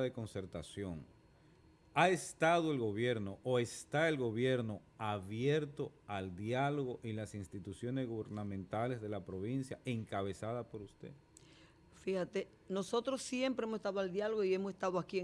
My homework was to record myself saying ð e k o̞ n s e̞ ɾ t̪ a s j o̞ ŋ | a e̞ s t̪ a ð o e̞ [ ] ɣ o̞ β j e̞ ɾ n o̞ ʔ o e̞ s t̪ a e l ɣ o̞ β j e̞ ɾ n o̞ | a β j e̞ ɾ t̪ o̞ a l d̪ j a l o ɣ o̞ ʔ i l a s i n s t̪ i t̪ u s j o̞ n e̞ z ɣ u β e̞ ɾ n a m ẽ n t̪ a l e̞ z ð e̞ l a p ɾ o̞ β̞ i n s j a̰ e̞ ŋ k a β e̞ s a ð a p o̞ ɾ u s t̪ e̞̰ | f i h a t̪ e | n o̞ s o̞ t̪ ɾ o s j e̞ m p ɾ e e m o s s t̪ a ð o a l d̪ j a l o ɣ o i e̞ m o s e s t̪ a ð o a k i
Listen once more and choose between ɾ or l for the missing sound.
l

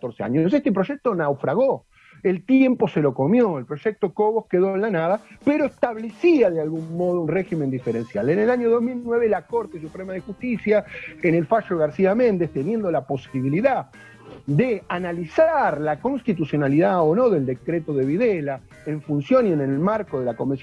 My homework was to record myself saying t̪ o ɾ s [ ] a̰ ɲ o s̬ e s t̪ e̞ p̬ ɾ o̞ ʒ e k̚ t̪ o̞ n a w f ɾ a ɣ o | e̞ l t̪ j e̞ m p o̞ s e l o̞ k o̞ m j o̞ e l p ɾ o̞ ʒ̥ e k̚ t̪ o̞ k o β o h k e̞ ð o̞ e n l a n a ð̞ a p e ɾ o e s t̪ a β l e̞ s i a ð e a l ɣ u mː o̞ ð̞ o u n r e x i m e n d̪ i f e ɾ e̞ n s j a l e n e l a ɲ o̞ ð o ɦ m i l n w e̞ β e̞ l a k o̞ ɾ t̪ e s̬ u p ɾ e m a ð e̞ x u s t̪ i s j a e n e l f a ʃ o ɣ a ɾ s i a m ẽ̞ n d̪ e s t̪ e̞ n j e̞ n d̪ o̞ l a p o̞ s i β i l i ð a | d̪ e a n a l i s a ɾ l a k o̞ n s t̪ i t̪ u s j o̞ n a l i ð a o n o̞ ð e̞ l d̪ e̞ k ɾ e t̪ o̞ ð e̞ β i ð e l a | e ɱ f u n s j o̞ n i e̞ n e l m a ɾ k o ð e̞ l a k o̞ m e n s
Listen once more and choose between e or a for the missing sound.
e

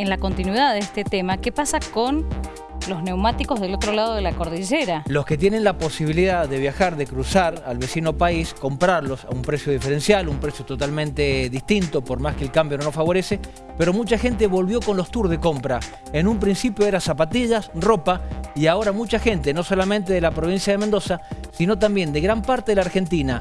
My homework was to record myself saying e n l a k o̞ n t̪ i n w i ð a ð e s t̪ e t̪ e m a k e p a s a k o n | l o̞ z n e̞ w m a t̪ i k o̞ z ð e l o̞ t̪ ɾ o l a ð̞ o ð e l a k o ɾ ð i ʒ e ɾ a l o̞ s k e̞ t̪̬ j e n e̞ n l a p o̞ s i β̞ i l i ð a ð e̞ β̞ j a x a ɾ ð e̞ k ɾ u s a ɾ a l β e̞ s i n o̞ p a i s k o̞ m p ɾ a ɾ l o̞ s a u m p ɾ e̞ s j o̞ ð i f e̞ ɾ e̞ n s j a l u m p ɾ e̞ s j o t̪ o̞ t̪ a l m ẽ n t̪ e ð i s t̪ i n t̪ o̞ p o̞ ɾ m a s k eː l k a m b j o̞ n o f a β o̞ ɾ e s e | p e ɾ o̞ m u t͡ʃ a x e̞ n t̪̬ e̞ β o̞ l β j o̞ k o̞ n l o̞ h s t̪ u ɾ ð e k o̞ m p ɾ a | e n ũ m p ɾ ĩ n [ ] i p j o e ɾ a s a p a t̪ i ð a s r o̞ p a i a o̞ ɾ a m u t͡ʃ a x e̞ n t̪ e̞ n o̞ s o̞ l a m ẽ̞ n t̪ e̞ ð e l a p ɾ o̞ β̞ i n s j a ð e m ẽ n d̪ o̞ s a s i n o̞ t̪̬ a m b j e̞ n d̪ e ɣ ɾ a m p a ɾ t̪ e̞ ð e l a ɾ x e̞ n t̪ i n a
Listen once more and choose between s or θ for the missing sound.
s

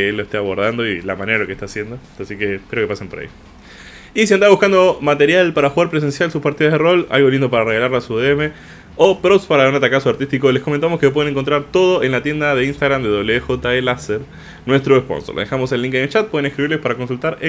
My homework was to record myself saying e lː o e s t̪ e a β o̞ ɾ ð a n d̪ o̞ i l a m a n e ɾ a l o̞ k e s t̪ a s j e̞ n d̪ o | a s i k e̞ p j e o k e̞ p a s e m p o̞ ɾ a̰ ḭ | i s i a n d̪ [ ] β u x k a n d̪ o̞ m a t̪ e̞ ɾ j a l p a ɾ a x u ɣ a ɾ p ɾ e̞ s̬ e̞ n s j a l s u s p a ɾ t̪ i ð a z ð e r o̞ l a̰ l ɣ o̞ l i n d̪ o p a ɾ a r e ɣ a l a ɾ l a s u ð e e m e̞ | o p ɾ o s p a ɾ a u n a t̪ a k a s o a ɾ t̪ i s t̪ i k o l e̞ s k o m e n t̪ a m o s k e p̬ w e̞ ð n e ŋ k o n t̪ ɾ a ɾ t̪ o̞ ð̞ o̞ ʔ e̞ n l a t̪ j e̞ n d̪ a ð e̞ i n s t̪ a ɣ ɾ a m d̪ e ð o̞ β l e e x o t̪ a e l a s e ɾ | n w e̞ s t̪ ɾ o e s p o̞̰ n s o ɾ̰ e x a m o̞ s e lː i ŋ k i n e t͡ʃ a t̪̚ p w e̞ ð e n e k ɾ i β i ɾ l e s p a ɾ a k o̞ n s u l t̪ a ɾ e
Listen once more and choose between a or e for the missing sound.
a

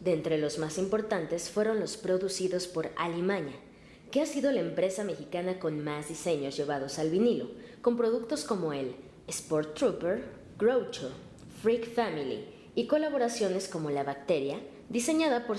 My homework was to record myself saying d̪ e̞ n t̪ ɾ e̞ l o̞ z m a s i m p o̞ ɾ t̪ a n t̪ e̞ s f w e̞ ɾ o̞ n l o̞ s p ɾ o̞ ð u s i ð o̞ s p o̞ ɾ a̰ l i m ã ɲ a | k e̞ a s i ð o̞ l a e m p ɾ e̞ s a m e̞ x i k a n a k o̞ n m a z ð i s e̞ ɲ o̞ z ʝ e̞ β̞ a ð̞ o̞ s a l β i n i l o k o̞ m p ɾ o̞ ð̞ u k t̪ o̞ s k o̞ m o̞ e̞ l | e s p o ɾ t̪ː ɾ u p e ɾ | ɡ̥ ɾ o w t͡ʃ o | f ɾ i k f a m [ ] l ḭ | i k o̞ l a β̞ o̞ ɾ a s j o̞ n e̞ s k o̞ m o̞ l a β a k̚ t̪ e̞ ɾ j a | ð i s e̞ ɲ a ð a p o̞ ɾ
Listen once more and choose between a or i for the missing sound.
i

